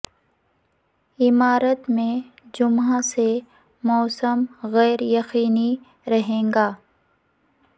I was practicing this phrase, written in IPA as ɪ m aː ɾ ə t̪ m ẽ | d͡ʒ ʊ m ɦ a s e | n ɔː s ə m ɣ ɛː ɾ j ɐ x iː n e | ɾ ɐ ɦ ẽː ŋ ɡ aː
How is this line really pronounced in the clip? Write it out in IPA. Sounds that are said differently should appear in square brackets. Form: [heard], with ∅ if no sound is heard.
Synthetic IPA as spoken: ɪ m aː ɾ ə t̪ m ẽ | d͡ʒ ʊ m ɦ a s e | [m] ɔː s ə m ɣ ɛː ɾ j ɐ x iː n [i] | ɾ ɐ ɦ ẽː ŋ ɡ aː